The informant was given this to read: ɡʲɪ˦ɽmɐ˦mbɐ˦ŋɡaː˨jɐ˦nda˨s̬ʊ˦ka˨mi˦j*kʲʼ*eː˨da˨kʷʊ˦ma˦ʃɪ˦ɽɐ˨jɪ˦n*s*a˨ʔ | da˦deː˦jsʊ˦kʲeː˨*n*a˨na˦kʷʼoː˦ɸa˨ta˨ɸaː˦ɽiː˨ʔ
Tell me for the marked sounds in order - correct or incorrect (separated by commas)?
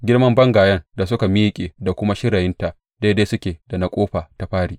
correct, incorrect, incorrect